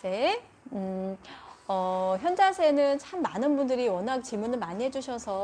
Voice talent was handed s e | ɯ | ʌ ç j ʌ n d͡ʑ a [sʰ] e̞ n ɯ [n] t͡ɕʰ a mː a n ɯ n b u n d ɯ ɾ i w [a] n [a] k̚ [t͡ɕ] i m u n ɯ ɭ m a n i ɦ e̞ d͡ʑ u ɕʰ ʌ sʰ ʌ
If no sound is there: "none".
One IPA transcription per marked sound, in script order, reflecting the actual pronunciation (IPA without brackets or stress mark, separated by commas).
sʰ, n, ʌ, a, t͡ɕ